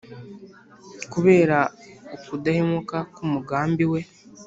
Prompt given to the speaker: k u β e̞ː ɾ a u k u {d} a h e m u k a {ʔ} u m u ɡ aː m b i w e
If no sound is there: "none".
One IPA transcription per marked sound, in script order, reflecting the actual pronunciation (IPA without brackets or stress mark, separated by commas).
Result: d, k